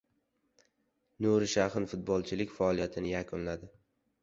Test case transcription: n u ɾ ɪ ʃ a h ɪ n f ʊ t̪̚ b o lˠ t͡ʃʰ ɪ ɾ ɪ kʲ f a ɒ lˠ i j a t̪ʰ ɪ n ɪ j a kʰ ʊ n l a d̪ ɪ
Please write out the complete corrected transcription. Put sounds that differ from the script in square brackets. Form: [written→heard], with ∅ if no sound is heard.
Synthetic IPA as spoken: n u ɾ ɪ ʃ a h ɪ n f ʊ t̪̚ b [o→ɒ] lˠ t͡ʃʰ ɪ [ɾ→l] ɪ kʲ f a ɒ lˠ i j a t̪ʰ ɪ n ɪ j a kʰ ʊ n l a d̪ ɪ